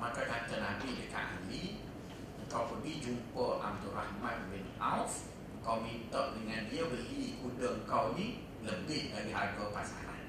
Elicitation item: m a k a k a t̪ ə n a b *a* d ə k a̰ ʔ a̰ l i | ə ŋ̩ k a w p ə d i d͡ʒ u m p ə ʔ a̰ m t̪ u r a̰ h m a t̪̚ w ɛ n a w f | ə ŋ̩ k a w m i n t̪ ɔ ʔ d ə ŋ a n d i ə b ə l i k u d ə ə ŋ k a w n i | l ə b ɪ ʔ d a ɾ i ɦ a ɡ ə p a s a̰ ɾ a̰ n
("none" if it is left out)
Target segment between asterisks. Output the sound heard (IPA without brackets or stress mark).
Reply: i